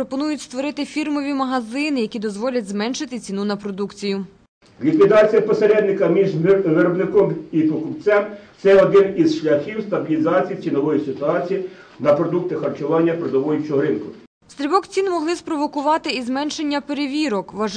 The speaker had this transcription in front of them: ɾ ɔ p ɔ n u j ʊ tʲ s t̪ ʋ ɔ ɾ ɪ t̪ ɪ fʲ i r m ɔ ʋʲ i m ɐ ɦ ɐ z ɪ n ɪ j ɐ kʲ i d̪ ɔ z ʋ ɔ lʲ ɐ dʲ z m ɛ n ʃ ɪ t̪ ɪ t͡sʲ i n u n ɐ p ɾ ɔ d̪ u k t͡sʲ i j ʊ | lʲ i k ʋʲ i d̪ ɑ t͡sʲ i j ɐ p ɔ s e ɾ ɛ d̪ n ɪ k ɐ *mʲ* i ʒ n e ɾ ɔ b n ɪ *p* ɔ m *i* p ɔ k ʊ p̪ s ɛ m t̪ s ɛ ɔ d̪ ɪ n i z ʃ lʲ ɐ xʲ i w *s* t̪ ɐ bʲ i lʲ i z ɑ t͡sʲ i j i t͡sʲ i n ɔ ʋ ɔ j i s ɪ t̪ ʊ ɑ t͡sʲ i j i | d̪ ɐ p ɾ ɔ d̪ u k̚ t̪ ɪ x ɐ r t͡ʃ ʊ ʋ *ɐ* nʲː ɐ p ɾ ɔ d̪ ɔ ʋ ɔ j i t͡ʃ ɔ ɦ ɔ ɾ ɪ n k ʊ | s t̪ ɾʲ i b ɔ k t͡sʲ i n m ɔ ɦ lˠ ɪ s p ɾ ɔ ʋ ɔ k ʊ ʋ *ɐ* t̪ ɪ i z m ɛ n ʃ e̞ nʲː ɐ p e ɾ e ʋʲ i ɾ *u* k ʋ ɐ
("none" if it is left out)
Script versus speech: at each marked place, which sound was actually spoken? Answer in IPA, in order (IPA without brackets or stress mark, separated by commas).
mʲ, k, i, s, ɑ, ɑ, ɔ